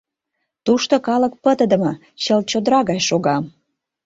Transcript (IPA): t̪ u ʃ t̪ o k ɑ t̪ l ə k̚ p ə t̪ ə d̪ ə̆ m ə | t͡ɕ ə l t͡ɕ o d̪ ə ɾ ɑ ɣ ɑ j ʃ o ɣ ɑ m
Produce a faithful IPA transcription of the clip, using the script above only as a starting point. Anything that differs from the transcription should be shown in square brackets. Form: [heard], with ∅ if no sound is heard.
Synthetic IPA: t̪ u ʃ t̪ o k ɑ [∅] l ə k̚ p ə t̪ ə d̪ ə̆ m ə | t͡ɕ ə l t͡ɕ o d̪ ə ɾ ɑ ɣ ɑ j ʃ o ɣ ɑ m